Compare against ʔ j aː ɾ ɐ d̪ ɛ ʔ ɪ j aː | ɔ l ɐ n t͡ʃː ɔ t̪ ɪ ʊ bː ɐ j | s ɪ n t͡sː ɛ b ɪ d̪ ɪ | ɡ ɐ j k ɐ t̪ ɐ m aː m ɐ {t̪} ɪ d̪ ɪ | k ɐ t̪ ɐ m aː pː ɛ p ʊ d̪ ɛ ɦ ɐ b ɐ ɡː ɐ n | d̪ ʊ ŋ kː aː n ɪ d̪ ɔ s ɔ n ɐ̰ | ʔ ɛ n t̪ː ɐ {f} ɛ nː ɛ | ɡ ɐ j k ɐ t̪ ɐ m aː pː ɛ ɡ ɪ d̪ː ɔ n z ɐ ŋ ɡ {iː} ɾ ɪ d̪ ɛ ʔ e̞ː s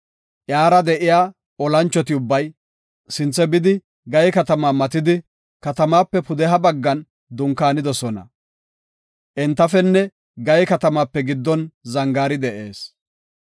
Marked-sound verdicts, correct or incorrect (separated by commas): correct, correct, incorrect